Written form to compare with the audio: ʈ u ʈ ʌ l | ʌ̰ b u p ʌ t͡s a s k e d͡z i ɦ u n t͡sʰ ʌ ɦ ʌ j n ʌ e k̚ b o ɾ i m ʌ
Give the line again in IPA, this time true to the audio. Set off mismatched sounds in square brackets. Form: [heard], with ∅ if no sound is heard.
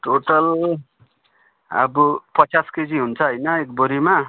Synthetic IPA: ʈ [o] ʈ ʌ l | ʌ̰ b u p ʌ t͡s a s k e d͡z i ɦ u n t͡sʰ ʌ ɦ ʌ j n ʌ e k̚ b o ɾ i m [a]